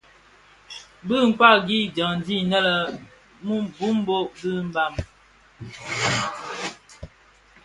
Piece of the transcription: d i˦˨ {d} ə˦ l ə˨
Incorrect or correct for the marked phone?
incorrect: n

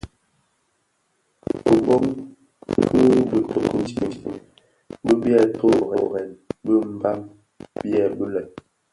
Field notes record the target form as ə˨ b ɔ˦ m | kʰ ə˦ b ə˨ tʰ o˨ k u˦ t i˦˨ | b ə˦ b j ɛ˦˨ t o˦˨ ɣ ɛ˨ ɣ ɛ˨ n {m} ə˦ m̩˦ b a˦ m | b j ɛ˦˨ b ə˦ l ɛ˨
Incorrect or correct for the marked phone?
incorrect: b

